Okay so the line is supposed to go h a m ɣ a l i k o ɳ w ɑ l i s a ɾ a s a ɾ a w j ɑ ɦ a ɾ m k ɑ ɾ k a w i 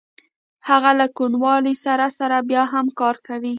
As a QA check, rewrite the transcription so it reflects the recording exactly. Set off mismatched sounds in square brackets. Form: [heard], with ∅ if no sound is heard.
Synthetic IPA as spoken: h a [∅] ɣ a l [a] k [u] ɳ w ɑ l i s a ɾ a s a ɾ a [b] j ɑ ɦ a [∅] m k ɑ ɾ k a w i